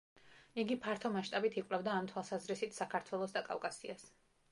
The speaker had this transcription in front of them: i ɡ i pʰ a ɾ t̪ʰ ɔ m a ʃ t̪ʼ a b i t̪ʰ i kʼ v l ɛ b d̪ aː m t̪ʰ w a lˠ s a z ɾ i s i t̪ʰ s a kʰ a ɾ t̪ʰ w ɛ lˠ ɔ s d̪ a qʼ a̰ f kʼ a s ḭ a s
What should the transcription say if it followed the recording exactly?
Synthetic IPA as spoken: i ɡ i pʰ a ɾ t̪ʰ ɔ m a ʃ t̪ʼ a b i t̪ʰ i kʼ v l ɛ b d̪ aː m t̪ʰ w a lˠ s a z ɾ i s i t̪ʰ s a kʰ a ɾ t̪ʰ w ɛ lˠ ɔ s d̪ a kʼ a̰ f kʼ a s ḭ a s